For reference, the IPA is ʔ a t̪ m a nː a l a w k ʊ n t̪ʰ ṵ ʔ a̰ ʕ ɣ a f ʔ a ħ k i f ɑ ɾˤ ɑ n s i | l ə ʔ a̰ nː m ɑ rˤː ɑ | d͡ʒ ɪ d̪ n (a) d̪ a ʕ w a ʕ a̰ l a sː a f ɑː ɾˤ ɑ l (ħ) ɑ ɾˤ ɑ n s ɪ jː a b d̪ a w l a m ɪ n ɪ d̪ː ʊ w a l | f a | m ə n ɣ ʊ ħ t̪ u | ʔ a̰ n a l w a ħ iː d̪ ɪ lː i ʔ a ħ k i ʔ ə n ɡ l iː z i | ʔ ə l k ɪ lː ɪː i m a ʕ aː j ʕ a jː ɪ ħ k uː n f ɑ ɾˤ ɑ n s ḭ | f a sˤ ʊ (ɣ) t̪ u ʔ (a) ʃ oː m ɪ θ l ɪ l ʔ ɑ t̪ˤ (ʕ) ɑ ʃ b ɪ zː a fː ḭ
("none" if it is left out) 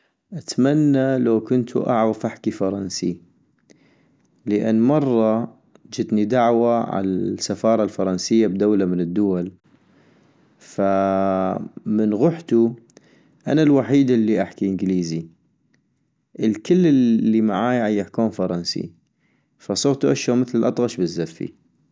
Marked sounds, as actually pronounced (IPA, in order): i, f, ɣ, a, ɣ

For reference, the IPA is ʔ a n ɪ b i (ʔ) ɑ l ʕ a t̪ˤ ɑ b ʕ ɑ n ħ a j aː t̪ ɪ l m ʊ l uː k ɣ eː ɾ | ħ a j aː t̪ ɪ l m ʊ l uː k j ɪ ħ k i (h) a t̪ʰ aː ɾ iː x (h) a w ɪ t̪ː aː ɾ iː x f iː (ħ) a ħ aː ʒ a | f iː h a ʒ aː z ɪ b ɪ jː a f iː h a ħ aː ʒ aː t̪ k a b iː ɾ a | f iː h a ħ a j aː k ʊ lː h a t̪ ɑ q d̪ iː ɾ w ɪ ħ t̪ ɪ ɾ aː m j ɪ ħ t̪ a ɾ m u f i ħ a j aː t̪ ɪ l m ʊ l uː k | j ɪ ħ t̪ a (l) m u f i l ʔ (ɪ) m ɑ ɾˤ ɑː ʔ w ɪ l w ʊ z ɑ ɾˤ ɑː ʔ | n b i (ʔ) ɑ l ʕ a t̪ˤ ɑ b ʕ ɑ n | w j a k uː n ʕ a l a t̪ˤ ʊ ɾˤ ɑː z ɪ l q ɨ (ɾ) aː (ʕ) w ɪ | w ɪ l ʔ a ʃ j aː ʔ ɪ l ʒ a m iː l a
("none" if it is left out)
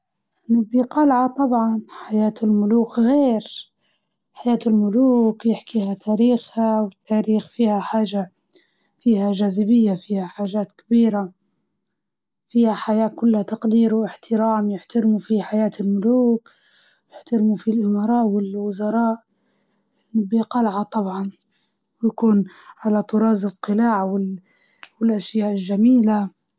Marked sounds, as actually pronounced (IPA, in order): q, h, h, h, ɾ, ɪ, q, l, ʕ

